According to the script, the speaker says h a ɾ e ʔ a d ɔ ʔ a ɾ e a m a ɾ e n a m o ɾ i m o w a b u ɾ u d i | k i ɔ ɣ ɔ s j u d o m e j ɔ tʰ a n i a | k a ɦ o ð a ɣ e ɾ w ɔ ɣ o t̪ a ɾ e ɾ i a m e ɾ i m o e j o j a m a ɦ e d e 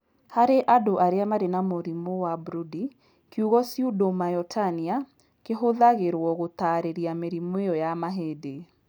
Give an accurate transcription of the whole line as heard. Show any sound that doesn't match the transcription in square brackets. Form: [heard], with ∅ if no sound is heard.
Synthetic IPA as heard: h a ɾ e ʔ a d [o] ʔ a ɾ e a m a ɾ e n a m o ɾ i m o w a b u ɾ u d i | k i [u] ɣ ɔ s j u d o m [a] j ɔ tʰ a n i a | k [e] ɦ o ð a ɣ e ɾ w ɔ ɣ o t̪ a ɾ e ɾ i a m e ɾ i m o e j [ɔ] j a m a ɦ e d e